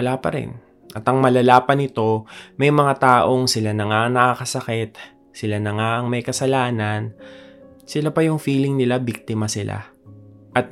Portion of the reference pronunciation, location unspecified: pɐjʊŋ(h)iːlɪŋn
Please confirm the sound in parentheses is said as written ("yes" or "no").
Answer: no